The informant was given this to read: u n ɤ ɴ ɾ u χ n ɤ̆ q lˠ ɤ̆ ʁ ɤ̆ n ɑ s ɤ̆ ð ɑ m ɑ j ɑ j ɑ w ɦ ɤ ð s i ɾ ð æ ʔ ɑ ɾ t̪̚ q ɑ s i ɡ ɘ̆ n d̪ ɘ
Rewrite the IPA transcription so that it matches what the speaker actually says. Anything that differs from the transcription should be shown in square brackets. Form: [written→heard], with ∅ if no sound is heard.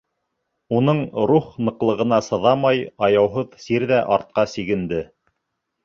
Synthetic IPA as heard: u n ɤ ɴ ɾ u χ n ɤ̆ q lˠ ɤ̆ ʁ ɤ̆ n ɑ s ɤ̆ ð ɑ m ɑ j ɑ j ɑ w ɦ ɤ ð s i ɾ ð æ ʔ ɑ ɾ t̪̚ q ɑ s i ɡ ɘ̆ n d̪ ɘ